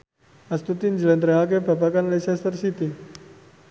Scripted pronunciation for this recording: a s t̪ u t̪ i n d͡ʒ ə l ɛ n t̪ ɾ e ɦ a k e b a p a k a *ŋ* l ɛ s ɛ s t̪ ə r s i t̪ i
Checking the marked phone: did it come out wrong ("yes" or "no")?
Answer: yes